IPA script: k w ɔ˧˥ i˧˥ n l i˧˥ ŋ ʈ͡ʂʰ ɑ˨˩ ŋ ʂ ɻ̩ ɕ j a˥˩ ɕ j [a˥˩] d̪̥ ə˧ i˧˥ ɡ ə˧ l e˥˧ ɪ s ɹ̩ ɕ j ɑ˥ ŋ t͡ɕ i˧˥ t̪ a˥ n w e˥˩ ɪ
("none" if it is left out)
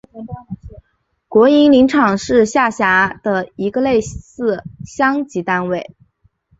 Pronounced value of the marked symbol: a˧˥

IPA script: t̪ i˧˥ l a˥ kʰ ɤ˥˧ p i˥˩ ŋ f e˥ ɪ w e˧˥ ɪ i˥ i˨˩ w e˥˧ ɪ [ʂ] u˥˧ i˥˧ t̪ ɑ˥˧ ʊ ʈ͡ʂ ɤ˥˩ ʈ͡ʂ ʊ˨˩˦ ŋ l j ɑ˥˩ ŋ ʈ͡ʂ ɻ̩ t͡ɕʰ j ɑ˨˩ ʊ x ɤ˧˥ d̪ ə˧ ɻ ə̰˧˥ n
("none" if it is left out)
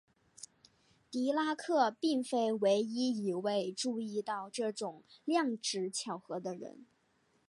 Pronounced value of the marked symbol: ʈ͡ʂ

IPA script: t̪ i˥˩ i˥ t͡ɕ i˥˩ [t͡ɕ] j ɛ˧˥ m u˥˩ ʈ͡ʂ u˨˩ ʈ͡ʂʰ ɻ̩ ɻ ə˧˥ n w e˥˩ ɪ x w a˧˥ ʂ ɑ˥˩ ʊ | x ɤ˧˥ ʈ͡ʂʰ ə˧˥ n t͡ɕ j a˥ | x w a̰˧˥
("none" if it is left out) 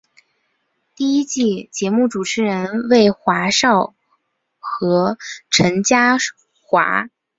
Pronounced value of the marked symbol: t͡ɕ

